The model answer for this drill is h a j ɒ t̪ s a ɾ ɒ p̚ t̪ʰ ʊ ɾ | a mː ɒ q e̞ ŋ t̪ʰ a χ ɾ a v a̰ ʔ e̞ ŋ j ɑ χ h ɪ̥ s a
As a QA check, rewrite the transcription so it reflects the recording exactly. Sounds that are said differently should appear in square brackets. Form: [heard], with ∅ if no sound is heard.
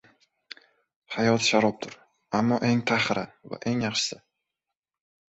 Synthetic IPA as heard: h a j ɒ t̪ [ʃ] a ɾ ɒ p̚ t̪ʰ ʊ ɾ | a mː ɒ [ʔ] e̞ ŋ t̪ʰ a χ ɾ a v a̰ ʔ e̞ ŋ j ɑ χ [ʃ] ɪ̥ s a